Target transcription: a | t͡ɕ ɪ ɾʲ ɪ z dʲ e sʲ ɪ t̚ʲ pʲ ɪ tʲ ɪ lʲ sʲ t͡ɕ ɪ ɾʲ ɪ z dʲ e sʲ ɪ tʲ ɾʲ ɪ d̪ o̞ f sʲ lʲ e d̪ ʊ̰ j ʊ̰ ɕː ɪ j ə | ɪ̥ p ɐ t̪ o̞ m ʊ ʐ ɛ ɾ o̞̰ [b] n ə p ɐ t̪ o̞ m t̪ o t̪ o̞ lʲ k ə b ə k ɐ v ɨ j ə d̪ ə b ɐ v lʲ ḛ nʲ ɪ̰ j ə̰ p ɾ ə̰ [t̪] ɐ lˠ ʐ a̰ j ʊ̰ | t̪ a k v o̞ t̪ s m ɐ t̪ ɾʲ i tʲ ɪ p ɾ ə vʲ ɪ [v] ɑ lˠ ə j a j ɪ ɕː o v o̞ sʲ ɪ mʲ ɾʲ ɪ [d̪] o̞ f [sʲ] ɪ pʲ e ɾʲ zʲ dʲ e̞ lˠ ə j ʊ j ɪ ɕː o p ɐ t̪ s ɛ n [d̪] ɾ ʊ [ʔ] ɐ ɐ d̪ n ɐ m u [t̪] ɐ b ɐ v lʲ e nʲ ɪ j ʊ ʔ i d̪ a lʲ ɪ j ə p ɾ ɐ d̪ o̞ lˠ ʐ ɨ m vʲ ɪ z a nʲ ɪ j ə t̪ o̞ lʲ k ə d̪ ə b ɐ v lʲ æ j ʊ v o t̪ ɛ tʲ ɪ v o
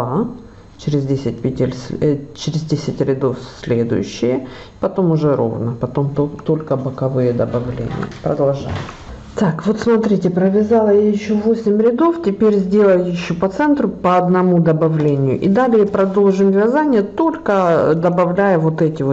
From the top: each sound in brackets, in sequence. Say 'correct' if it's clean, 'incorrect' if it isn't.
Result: incorrect: v, incorrect: d̪, incorrect: z, correct, incorrect: tʲ, incorrect: t̪, incorrect: p, incorrect: d̪

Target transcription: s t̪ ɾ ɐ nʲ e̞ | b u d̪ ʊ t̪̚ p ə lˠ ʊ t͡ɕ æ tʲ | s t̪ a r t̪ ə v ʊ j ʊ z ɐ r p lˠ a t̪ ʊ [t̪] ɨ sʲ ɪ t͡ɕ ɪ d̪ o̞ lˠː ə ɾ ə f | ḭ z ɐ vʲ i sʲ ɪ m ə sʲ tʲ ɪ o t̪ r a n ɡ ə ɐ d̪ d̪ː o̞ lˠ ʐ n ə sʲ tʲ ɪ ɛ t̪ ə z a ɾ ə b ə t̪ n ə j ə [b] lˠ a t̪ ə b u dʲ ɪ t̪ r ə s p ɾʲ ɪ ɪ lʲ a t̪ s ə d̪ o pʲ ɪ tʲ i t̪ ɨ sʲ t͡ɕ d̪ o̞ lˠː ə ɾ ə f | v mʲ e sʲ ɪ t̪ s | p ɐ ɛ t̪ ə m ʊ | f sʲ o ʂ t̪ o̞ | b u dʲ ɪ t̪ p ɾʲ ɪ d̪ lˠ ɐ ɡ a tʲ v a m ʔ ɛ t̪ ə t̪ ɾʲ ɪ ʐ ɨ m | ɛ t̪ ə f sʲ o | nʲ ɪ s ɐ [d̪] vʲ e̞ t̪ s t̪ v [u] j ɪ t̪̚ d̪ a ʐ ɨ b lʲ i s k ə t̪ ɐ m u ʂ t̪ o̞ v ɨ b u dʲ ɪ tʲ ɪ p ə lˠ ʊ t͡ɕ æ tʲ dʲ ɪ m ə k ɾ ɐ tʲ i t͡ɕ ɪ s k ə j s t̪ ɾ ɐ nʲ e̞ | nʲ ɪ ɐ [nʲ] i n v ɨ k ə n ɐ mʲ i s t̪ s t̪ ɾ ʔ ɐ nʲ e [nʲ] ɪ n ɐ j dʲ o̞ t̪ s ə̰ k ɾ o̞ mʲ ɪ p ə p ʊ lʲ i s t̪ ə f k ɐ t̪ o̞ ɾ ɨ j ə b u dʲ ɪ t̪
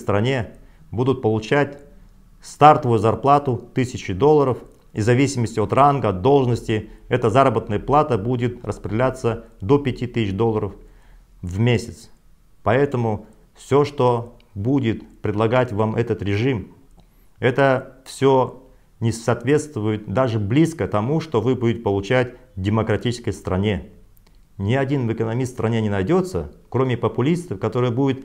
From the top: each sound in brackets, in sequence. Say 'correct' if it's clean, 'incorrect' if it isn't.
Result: correct, incorrect: p, incorrect: t̪, incorrect: ʊ, incorrect: dʲ, correct

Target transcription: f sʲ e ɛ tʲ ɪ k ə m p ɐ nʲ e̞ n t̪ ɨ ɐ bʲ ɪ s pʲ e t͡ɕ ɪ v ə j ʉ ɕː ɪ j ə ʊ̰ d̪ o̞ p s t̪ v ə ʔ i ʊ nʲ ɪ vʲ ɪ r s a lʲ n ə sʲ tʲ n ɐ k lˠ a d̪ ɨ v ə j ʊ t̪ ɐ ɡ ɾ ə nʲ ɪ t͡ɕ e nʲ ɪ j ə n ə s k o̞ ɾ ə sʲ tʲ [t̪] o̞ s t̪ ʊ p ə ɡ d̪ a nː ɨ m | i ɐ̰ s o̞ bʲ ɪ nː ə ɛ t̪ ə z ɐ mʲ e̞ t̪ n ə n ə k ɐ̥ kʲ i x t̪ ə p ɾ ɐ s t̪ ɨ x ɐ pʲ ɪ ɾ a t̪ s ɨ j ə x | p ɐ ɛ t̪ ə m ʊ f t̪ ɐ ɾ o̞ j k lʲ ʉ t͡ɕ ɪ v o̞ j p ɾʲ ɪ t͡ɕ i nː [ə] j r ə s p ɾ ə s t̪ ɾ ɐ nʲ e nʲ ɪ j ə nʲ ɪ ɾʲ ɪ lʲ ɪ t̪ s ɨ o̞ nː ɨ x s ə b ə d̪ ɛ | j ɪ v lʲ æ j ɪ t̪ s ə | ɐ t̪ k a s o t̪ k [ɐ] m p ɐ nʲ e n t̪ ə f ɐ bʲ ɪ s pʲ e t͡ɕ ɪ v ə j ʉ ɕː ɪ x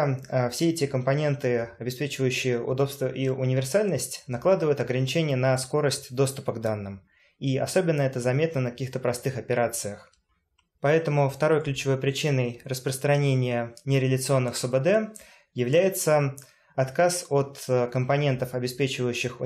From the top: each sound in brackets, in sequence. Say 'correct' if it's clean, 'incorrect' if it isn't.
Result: incorrect: d̪, correct, incorrect: ə

